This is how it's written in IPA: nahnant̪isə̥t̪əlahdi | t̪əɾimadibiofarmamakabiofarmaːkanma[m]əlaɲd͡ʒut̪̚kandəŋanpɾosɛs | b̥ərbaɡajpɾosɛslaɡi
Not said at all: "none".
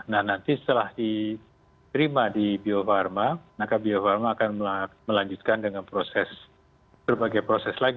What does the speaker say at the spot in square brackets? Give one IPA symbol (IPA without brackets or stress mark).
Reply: m